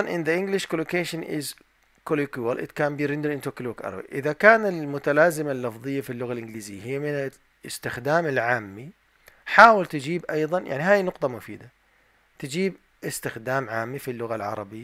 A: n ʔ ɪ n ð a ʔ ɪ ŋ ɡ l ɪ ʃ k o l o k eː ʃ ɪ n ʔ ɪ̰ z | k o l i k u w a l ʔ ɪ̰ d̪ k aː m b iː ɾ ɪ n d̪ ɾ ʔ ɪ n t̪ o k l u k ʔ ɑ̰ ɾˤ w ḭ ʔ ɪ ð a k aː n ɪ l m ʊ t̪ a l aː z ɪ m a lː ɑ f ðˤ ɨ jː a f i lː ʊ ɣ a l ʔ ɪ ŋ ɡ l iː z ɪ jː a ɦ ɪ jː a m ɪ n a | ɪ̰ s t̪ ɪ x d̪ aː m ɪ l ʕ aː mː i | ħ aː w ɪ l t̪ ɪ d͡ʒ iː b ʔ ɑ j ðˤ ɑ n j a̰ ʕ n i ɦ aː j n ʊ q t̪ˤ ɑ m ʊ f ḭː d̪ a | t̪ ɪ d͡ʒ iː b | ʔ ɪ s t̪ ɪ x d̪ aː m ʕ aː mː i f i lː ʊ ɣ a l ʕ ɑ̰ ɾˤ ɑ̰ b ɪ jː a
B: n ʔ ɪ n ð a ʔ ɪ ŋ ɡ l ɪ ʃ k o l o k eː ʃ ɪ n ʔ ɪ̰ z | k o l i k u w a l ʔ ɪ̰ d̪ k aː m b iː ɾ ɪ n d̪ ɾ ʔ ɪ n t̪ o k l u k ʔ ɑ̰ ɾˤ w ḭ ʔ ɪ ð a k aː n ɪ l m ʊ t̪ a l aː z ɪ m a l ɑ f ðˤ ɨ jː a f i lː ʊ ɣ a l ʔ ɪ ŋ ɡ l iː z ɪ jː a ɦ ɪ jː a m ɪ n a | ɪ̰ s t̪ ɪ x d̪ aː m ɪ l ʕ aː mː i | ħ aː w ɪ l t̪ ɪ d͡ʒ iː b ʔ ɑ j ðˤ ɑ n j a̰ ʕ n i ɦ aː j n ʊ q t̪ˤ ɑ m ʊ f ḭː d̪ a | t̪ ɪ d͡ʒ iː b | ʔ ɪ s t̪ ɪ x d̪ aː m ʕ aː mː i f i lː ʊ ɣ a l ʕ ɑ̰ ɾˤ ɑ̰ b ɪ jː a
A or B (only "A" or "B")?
A